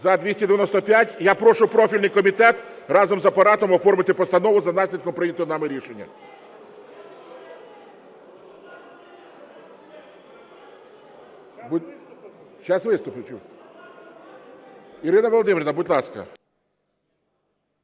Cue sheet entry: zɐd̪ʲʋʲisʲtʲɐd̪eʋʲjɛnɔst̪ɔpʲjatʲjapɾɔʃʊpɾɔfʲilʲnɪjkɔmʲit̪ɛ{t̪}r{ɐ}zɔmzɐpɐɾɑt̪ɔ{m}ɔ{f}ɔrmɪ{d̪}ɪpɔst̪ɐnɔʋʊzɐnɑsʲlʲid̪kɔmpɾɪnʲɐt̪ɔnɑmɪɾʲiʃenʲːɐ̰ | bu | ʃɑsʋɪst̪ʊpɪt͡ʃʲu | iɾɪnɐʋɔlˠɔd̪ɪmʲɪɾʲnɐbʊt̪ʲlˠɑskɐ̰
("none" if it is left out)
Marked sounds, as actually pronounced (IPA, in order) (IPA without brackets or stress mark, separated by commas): t̪, ɑ, m, f, t̪